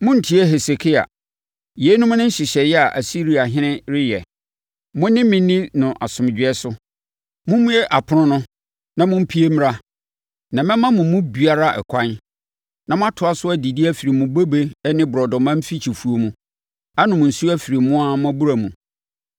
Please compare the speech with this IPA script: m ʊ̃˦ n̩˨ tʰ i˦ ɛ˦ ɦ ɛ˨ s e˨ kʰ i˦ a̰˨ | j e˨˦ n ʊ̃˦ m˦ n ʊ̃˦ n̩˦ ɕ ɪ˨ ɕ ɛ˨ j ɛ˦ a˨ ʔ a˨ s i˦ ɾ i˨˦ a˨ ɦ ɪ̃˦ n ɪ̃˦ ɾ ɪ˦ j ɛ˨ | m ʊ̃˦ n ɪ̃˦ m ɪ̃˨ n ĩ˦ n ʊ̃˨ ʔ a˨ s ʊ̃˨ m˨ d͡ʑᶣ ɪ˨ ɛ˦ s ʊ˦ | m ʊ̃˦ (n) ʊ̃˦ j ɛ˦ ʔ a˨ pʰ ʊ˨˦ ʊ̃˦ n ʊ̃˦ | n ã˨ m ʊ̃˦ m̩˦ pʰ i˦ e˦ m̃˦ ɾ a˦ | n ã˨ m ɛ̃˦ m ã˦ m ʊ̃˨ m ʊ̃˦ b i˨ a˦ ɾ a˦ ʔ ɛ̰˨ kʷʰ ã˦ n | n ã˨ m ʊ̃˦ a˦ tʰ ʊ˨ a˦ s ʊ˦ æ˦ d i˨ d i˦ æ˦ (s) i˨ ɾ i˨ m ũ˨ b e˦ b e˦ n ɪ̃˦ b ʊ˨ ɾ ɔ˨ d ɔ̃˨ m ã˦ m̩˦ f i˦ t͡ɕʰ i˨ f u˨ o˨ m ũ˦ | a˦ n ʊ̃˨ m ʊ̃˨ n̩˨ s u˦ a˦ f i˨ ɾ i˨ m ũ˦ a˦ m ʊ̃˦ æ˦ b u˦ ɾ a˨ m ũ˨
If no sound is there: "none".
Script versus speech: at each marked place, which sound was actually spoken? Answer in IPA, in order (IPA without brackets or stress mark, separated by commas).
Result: m, f